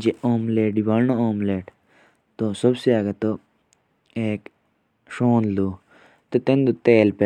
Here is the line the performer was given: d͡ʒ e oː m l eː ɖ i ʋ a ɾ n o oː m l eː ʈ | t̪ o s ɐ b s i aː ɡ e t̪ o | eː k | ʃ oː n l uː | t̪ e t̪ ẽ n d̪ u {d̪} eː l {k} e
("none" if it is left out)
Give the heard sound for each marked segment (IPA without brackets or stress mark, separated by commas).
t̪, p